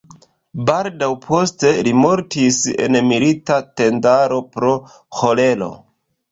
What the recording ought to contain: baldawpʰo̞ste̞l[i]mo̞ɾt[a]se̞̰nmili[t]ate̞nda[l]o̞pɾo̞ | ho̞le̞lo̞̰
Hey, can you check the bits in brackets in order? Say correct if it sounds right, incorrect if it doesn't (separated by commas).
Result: correct, incorrect, correct, incorrect